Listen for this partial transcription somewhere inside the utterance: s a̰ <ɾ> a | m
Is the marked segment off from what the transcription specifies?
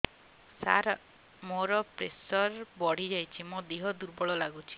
no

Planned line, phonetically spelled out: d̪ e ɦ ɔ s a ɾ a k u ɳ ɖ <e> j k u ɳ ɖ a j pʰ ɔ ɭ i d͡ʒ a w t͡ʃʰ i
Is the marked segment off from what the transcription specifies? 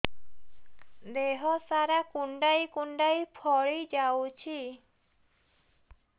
yes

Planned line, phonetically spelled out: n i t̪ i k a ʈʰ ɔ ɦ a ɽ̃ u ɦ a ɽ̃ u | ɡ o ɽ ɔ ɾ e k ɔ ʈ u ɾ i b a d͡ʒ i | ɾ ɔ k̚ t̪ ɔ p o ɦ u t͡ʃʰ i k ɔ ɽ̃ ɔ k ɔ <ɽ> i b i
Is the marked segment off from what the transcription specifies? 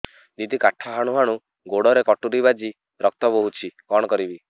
yes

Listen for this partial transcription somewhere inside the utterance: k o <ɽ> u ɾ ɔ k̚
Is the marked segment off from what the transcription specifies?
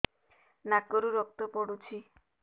yes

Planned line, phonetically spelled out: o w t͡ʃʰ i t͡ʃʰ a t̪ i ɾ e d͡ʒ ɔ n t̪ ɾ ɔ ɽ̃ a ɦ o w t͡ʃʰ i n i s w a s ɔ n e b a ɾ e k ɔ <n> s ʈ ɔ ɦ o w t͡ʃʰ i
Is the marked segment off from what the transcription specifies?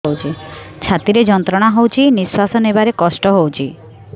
yes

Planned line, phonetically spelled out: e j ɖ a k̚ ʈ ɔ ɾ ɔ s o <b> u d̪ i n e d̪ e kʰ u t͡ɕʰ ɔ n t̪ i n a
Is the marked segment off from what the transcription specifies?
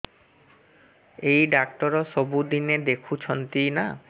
no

